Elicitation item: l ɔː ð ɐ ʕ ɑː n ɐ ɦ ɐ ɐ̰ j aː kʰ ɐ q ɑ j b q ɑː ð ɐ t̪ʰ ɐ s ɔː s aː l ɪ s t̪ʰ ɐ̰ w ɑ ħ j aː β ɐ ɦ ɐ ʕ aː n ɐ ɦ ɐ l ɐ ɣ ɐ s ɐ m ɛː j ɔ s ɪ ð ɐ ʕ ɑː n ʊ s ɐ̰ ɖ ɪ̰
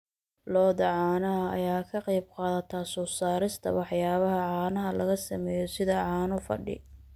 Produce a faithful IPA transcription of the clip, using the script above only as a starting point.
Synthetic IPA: l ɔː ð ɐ ʕ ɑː n ɐ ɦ ɐ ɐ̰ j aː kʰ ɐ q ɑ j b q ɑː ð ɐ t̪ʰ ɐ s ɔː s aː ɾ ɪ s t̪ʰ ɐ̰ w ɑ ħ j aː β ɐ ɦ ɐ ʕ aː n ɐ ɦ ɐ l ɐ ɣ ɐ s ɐ m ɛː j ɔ s ɪ ð ɐ ʕ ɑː n ʊ f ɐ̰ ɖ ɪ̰